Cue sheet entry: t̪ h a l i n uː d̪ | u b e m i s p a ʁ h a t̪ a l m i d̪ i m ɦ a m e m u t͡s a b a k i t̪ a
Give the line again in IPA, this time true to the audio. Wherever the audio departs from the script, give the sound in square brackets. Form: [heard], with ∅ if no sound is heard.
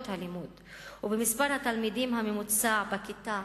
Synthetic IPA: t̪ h a l i [m] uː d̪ | u b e m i s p a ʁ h a t̪ a l m i d̪ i m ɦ a m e m u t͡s a b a k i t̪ a